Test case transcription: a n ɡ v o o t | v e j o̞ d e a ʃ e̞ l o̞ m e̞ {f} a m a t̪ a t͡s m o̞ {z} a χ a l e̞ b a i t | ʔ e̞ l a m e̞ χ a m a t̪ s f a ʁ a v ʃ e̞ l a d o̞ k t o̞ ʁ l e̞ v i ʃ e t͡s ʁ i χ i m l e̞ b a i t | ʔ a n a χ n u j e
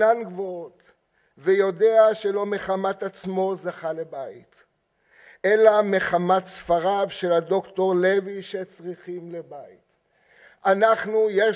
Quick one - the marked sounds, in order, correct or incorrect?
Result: incorrect: χ, correct

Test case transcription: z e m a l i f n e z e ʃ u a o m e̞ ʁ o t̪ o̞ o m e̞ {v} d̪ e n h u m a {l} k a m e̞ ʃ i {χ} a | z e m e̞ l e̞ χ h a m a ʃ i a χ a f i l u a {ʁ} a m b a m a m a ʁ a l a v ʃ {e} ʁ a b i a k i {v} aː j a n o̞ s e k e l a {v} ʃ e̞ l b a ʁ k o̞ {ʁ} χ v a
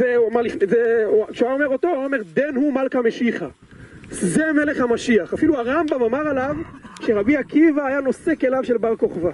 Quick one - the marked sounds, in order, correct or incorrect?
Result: incorrect: ʁ, correct, correct, correct, correct, correct, correct, incorrect: none

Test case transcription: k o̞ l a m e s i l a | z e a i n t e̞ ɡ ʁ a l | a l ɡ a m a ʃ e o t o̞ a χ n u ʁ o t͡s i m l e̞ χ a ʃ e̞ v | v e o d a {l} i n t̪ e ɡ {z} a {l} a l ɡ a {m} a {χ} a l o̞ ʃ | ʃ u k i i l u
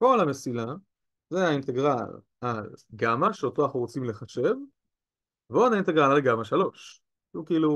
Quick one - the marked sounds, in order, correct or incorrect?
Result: incorrect: none, incorrect: ʁ, correct, correct, incorrect: ʃ

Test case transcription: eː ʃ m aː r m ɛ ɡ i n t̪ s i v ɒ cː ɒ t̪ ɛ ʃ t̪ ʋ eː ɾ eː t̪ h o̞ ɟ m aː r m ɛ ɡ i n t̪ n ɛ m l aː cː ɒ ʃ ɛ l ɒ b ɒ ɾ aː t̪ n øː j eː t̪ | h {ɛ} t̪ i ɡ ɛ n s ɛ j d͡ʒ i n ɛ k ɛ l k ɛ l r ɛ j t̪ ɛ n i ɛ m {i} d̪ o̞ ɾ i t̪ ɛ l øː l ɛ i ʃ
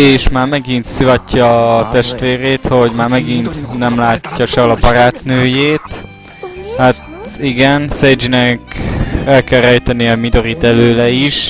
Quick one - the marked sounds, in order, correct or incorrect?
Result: incorrect: a, correct

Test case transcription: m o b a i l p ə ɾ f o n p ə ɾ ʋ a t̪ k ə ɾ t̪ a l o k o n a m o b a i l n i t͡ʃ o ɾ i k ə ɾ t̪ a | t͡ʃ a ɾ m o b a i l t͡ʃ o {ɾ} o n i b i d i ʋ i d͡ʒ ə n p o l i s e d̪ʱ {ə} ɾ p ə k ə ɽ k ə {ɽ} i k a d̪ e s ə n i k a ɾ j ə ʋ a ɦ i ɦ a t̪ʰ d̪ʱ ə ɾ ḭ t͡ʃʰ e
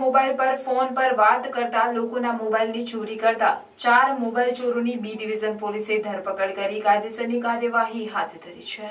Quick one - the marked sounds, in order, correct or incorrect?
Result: correct, correct, incorrect: ɾ

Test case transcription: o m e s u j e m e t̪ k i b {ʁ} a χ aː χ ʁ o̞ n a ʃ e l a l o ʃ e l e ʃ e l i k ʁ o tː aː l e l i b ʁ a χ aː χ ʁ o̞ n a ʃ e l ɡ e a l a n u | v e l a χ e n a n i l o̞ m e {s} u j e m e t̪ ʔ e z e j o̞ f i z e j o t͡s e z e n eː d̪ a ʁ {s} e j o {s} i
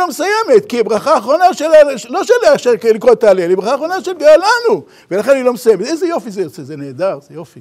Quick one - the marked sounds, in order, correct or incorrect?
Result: correct, correct, incorrect: z, incorrect: f

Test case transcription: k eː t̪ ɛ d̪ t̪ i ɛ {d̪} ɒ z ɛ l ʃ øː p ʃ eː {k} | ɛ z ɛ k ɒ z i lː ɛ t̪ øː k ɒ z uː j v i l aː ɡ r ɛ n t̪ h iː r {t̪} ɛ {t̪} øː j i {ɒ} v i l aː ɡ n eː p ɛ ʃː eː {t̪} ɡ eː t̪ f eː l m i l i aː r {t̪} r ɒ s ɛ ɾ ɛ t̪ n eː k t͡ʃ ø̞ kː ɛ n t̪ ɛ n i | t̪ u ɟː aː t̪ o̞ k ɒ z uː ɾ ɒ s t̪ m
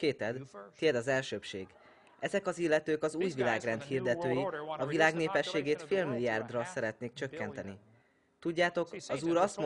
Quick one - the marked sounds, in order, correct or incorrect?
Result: correct, incorrect: ɡ, incorrect: d̪, correct, correct, incorrect: none, incorrect: d̪

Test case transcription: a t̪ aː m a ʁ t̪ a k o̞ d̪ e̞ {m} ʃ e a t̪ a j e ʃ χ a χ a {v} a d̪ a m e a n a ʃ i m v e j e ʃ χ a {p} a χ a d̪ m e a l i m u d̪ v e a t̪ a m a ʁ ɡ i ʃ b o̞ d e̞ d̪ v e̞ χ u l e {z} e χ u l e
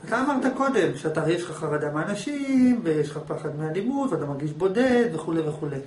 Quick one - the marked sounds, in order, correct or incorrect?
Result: correct, incorrect: ʁ, correct, incorrect: v

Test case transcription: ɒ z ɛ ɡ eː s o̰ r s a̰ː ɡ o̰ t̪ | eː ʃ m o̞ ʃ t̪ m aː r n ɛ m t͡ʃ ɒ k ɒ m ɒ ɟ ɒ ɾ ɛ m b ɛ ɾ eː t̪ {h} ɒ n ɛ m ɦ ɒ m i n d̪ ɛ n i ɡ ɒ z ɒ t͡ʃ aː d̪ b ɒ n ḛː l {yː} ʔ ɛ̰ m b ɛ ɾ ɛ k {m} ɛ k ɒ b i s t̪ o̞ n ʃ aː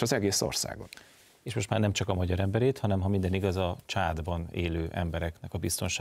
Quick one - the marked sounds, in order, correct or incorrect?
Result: correct, incorrect: øː, incorrect: n

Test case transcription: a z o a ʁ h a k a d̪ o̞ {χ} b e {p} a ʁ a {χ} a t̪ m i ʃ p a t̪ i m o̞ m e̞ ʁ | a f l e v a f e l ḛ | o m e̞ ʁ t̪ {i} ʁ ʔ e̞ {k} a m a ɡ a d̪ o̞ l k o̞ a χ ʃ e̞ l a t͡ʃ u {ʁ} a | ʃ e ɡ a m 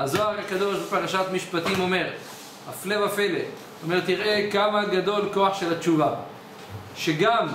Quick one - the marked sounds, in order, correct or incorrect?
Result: incorrect: ʃ, correct, incorrect: ʃ, correct, correct, incorrect: v

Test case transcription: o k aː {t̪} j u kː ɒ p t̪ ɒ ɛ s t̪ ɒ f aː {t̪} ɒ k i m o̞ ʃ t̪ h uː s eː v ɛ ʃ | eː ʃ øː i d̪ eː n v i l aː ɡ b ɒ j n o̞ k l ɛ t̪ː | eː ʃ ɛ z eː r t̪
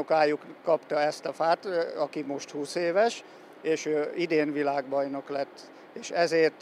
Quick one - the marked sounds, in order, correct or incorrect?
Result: incorrect: none, correct

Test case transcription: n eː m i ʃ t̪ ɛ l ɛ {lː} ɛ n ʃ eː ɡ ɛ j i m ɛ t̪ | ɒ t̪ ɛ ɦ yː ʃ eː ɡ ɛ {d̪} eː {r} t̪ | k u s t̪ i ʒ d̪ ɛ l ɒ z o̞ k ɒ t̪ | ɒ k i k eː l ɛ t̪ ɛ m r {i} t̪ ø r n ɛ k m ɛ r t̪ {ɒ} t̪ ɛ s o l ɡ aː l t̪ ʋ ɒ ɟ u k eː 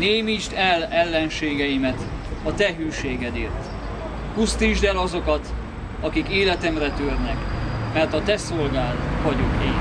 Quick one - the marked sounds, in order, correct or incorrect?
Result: correct, correct, correct, incorrect: ɛ, correct

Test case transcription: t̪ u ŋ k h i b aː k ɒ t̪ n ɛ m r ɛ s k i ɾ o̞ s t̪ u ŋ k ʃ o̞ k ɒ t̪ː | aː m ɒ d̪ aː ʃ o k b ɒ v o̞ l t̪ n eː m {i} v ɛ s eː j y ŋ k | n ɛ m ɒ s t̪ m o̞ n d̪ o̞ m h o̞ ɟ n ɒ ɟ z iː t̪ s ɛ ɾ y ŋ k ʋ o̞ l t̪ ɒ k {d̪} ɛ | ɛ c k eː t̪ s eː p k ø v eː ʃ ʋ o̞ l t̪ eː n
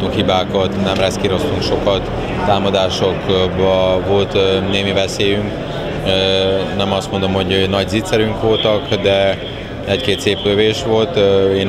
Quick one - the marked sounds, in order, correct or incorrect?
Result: correct, correct

